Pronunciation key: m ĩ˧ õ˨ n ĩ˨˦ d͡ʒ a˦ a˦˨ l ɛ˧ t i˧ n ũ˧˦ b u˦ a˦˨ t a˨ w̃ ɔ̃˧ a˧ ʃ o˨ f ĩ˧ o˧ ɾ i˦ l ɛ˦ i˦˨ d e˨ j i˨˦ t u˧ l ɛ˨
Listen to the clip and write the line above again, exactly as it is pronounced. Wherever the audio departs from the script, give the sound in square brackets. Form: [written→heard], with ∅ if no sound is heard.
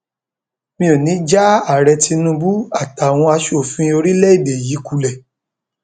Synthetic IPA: m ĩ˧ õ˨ n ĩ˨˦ d͡ʒ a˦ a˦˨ [l→ɾ] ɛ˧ t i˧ n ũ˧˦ b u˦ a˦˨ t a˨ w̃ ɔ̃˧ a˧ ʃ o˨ f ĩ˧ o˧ ɾ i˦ l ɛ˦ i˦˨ d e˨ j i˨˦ [t→k] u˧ l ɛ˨

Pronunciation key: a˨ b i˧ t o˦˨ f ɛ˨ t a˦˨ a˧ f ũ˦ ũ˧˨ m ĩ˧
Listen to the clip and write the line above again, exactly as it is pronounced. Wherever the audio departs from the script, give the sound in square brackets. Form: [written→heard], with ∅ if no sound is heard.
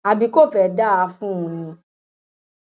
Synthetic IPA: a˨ b i˧ [t→k] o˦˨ f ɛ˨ [t→d] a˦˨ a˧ f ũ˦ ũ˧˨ [m→n] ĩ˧

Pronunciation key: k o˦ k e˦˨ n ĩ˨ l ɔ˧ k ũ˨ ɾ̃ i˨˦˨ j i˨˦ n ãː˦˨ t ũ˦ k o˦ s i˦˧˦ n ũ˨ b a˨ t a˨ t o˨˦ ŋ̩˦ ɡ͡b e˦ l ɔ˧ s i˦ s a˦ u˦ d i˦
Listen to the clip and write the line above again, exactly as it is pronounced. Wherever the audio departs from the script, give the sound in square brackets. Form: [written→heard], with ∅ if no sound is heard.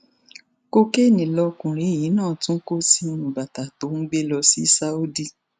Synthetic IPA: k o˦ k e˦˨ n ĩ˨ l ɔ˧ k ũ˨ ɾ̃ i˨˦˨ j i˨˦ n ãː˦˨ t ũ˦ k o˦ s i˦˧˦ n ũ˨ b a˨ t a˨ t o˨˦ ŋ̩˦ ɡ͡b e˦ l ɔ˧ s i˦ s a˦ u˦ d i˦

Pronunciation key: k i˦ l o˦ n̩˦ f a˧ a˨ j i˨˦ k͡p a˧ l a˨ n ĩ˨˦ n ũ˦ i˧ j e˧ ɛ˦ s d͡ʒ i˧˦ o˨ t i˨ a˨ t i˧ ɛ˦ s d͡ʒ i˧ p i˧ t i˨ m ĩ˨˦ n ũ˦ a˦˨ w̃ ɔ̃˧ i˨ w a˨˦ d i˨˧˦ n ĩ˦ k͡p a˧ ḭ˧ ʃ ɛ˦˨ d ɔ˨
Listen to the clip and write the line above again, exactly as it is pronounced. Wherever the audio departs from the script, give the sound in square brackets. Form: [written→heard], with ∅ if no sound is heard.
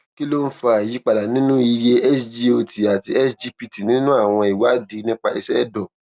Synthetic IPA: k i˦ l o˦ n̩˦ f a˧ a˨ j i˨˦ k͡p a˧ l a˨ n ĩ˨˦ n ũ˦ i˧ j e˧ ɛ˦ s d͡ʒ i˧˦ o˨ t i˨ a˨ t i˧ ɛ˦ s d͡ʒ i˧ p i˧ t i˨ [m→n] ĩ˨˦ n ũ˦ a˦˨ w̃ ɔ̃˧ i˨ w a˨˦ d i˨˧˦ n ĩ˦ k͡p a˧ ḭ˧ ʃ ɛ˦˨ d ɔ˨

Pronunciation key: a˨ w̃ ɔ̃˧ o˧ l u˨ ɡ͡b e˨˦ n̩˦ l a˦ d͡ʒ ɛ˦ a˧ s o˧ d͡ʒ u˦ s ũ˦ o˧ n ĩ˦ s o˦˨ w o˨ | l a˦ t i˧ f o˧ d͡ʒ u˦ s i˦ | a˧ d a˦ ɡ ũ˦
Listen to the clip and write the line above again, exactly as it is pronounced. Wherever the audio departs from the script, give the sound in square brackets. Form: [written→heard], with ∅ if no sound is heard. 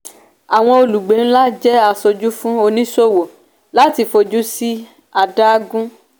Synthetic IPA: a˨ w̃ ɔ̃˧ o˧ l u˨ ɡ͡b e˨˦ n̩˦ l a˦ d͡ʒ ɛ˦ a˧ s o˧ d͡ʒ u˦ [s→f] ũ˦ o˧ n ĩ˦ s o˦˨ w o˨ | l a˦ t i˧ f o˧ d͡ʒ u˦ s i˦ | a˧ d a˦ ɡ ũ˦

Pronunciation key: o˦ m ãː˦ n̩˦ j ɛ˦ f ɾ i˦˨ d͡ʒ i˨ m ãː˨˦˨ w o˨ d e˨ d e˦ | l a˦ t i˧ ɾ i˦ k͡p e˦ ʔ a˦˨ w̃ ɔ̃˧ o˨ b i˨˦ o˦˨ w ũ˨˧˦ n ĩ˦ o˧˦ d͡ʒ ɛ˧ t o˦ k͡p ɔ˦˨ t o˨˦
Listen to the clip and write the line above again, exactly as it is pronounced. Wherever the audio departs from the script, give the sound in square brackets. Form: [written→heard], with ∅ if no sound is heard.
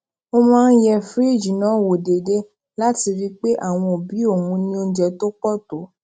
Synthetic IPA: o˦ m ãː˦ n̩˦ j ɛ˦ f ɾ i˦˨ d͡ʒ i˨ [m→n] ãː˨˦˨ w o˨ d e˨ d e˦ | l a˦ t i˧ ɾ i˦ k͡p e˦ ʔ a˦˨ w̃ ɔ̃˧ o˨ b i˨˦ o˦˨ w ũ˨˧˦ n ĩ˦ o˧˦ d͡ʒ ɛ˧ t o˦ k͡p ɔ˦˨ t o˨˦

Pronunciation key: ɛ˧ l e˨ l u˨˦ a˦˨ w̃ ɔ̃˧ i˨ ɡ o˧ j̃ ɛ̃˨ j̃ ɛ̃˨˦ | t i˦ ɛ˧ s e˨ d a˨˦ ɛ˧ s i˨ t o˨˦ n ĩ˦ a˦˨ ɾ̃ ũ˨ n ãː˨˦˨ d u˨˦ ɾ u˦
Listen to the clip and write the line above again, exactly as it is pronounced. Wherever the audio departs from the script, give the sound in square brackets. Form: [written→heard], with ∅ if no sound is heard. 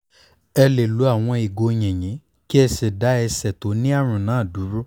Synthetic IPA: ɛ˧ l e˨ l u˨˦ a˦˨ w̃ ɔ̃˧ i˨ ɡ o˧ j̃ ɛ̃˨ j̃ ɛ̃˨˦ | [t→k] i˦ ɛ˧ s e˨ d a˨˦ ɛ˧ s [i˨→ɛ˨] t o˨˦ n ĩ˦ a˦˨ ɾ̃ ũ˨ n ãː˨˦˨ d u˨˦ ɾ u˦

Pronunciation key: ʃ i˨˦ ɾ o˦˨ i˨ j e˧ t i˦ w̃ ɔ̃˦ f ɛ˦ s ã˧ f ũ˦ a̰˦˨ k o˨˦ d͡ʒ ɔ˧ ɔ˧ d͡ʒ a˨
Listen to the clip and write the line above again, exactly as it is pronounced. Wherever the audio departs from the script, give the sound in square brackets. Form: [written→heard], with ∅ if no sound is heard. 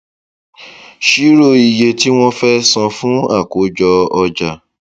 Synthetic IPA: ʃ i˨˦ ɾ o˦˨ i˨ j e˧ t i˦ w̃ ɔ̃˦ f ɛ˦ s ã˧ f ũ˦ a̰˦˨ k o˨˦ d͡ʒ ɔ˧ ɔ˧ d͡ʒ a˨

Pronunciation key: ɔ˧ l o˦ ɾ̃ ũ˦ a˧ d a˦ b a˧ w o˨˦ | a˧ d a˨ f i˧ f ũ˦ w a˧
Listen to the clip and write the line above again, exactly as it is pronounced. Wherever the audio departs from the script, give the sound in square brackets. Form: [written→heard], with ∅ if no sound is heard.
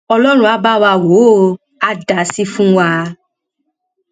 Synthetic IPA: ɔ˧ l [o˦→ɔ˦] ɾ̃ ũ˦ a˧ [d→b] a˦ [b→w] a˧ w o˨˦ | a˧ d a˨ [f→s] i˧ f ũ˦ w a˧

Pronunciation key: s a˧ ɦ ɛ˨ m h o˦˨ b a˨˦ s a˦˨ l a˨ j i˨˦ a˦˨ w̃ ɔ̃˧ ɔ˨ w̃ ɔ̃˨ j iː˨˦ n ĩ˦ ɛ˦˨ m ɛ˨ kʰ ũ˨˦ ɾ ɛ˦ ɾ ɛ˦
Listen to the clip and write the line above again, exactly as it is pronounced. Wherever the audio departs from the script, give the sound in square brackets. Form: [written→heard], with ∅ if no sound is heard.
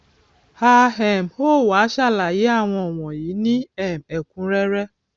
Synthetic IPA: [s→h] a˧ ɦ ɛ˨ m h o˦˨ [b→w] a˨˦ [s→ʃ] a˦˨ l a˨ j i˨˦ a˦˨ w̃ ɔ̃˧ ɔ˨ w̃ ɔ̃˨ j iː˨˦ n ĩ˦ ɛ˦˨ m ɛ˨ [kʰ→k] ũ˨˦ ɾ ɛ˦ ɾ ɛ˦

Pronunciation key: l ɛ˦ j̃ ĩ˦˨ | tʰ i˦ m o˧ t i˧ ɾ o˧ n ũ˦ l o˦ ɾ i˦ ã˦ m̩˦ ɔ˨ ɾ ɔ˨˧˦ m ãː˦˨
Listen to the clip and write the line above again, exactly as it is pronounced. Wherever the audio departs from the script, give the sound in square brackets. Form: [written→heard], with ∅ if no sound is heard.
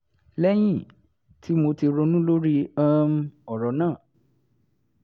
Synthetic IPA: l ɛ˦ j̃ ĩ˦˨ | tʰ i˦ m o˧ t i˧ ɾ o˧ n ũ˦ l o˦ ɾ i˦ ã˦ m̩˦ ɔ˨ ɾ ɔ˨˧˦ [m→n] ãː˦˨

